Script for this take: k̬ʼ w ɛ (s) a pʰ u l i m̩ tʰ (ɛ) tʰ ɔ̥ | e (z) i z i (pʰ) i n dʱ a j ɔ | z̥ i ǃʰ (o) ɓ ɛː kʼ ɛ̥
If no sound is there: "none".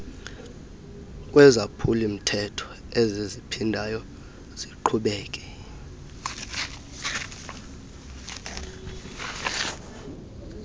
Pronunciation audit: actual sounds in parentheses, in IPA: z, ɛ, z, pʰ, u

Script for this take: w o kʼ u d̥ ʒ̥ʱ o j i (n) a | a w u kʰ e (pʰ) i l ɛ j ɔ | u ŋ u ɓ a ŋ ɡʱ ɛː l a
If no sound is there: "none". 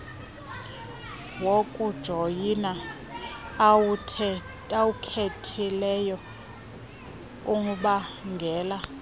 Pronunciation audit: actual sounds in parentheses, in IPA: n, tʰ

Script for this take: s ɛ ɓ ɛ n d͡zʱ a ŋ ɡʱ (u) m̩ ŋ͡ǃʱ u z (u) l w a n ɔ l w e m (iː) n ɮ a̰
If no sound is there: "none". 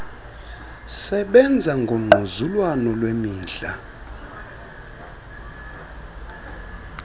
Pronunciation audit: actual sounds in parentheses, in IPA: o, u, iː

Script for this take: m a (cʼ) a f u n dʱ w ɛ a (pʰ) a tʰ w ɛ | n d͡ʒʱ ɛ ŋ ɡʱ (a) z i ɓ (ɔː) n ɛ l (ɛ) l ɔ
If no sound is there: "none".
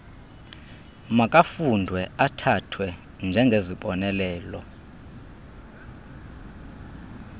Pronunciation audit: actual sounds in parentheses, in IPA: kʼ, tʰ, e, ɔ, ɛː

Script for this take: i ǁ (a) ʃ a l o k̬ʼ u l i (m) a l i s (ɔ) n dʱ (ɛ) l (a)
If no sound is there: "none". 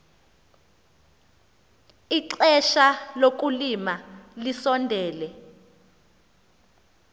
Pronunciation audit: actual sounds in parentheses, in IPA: ɛ, m, ɔ, ɛː, ɛ

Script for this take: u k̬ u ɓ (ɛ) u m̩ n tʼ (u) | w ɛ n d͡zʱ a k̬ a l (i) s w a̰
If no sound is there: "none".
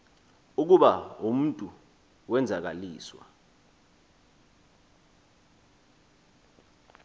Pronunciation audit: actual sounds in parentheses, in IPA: a, u, iː

